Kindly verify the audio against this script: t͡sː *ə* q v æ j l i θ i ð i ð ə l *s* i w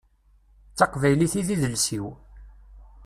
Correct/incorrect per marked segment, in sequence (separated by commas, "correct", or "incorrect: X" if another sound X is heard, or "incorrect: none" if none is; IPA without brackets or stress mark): incorrect: ɑ, correct